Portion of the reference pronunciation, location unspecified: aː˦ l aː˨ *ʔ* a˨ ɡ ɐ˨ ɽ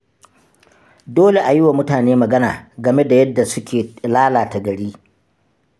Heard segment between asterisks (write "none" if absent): t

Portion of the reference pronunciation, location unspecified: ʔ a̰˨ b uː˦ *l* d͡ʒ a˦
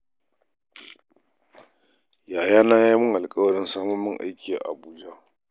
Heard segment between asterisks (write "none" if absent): none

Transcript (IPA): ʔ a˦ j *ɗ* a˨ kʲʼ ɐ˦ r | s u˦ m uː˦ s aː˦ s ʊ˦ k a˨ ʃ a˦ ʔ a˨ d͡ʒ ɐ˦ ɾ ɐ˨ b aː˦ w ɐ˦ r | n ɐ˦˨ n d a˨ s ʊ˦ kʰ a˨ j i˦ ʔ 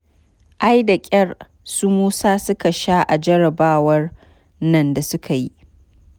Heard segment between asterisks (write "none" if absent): d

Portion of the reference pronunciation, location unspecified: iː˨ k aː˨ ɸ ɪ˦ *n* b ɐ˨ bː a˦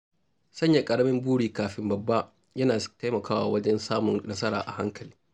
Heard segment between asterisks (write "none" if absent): m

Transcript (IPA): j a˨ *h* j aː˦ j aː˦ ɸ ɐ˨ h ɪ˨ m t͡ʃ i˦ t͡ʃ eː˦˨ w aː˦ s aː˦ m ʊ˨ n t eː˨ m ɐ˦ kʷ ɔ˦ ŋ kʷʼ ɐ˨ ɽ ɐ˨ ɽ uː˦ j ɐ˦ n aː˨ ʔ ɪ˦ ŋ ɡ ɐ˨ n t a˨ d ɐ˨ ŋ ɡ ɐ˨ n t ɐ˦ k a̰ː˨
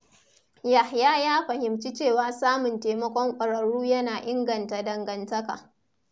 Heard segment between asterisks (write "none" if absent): h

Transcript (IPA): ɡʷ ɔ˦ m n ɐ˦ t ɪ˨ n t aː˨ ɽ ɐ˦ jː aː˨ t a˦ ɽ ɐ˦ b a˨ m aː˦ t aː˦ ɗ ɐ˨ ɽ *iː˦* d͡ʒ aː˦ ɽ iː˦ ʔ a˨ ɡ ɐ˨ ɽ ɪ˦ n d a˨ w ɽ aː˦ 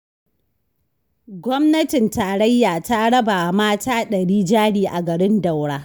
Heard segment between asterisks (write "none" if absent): iː˦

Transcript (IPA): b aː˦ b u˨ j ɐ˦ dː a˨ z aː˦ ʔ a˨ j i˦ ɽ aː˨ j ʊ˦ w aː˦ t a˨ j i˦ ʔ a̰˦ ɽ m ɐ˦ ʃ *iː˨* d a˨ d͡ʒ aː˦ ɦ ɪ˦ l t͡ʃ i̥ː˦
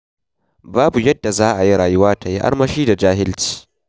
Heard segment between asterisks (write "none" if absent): iː˦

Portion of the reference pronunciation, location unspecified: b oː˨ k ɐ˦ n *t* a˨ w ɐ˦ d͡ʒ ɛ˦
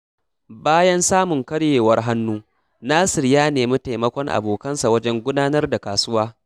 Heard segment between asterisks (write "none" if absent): s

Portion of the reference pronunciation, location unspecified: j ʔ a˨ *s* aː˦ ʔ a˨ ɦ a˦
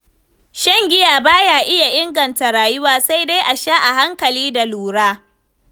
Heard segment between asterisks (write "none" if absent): ʃ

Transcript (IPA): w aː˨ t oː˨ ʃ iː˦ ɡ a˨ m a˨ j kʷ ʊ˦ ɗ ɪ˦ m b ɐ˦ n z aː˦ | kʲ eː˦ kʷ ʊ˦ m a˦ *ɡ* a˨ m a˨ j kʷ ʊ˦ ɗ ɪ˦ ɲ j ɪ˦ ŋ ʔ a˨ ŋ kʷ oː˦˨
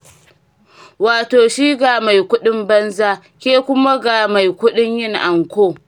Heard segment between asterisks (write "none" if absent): ɡ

